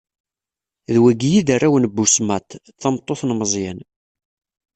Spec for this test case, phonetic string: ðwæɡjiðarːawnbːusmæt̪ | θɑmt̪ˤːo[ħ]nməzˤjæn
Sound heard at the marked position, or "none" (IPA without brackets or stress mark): θ